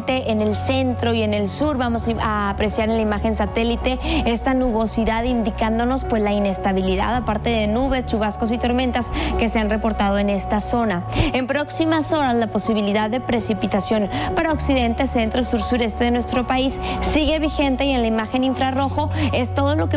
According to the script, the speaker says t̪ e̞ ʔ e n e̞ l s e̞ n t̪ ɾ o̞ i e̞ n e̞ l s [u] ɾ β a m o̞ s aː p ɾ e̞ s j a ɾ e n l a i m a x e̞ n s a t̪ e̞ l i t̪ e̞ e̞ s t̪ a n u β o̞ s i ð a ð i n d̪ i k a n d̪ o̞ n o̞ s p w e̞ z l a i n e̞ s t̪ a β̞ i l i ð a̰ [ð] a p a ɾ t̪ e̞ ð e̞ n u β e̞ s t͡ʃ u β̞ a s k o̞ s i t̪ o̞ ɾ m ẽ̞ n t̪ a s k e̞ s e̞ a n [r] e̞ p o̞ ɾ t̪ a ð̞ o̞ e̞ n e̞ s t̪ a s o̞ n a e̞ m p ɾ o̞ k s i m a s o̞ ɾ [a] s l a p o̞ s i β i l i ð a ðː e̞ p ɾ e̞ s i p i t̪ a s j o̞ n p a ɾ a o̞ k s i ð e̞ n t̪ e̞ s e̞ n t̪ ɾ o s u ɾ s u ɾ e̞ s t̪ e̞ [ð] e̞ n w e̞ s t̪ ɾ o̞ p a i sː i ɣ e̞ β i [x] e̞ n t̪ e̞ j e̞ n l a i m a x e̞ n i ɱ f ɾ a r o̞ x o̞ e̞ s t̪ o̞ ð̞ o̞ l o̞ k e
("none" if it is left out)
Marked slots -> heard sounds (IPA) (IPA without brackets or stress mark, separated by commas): u, ð, r, a, ð, x